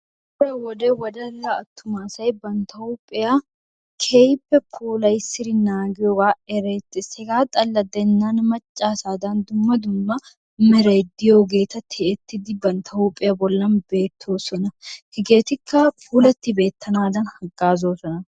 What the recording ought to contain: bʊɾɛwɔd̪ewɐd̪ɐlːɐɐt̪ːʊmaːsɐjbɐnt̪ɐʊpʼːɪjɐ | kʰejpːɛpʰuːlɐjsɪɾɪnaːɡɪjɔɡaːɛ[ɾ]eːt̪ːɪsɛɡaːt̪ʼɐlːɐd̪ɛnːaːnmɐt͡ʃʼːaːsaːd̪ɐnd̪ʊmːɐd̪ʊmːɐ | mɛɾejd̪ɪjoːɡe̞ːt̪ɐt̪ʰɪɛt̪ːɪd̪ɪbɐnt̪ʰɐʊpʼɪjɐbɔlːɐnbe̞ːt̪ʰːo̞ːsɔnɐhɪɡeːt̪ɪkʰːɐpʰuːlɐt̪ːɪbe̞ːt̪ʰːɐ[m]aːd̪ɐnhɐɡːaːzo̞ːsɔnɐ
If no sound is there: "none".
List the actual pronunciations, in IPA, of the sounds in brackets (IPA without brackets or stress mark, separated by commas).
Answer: ɾ, n